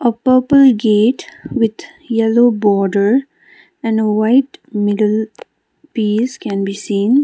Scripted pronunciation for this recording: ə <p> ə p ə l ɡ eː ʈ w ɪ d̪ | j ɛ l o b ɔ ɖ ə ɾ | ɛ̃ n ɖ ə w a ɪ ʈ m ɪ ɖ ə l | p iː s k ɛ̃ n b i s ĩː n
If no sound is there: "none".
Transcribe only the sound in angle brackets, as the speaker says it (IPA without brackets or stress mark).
p